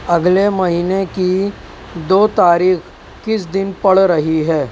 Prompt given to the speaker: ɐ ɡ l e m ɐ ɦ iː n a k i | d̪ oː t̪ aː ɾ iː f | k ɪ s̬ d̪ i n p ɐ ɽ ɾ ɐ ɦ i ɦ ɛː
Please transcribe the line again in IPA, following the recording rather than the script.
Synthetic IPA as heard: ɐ ɡ l e m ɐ ɦ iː n e k i | d̪ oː t̪ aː ɾ iː x | k ɪ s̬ d̪ ɪ n p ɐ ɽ ɾ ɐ ɦ i ɦ ɛː